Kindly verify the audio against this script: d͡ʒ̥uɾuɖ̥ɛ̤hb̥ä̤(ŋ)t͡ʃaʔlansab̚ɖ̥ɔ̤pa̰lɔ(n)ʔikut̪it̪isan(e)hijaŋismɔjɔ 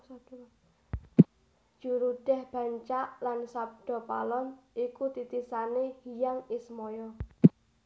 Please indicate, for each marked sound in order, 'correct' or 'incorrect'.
incorrect, correct, correct

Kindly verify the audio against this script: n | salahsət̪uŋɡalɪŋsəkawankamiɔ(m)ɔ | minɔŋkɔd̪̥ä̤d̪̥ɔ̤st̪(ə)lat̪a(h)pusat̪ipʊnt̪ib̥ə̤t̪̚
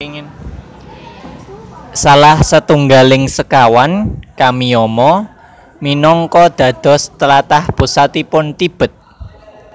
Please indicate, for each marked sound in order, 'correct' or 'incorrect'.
correct, correct, correct

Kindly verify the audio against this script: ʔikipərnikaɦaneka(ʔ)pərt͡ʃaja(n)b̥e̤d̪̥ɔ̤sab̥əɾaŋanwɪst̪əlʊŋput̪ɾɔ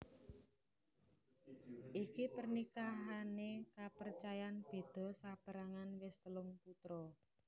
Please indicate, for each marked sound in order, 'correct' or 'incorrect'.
incorrect, correct

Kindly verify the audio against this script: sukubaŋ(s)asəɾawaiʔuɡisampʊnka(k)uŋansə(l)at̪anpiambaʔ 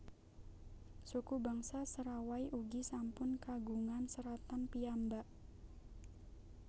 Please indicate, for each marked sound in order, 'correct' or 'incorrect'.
correct, incorrect, incorrect

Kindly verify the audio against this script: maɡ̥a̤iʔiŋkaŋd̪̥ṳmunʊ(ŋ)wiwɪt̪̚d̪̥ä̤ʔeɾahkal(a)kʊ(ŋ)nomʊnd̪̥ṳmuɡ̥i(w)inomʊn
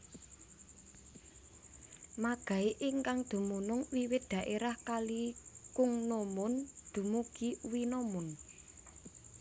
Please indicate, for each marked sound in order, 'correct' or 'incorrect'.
correct, incorrect, correct, correct

